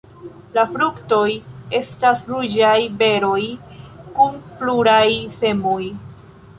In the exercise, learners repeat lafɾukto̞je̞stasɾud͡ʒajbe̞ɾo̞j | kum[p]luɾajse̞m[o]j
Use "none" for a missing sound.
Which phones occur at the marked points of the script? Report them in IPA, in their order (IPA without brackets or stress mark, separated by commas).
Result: p, o